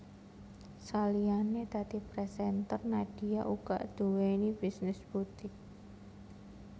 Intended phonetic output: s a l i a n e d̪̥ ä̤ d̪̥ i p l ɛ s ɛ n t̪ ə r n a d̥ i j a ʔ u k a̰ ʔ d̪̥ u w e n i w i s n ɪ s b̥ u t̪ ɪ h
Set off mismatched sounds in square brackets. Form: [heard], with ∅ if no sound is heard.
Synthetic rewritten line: s a l i a n e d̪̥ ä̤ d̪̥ i p [ɾ] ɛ s ɛ n t̪ ə r n a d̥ i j a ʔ u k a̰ ʔ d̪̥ u w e n i [b] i s n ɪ s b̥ u t̪ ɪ h